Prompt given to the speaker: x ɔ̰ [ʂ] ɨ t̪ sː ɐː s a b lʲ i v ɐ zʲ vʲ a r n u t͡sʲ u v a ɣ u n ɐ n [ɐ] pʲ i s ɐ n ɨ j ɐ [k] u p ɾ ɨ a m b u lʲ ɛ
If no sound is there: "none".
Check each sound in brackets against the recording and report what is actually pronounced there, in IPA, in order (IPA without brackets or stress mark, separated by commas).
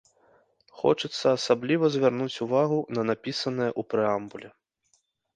t͡ʂ, a, ʔ